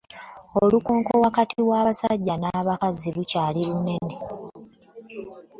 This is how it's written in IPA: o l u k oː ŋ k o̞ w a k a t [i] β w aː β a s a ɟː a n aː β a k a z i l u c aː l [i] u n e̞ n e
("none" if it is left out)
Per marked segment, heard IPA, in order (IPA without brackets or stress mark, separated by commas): i, i